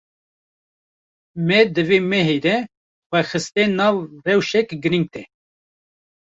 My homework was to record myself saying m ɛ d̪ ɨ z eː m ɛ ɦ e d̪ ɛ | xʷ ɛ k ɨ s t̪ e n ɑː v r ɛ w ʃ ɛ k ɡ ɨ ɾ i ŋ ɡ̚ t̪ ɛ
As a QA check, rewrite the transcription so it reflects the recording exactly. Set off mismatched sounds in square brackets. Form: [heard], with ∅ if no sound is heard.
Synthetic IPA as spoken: m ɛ d̪ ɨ [v] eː m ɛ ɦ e d̪ ɛ | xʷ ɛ [x] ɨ s t̪ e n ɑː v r ɛ w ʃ ɛ k ɡ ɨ ɾ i ŋ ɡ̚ t̪ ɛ